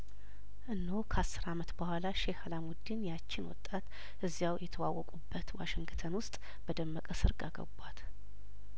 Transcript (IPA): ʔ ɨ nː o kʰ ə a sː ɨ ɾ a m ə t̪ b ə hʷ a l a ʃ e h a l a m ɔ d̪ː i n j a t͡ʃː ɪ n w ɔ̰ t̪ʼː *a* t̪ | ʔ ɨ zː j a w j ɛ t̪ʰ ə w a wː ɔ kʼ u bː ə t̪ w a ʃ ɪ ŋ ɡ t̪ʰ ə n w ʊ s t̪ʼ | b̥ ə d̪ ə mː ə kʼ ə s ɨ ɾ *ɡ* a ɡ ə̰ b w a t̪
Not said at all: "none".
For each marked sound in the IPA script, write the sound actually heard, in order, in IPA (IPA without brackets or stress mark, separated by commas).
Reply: a, ɡ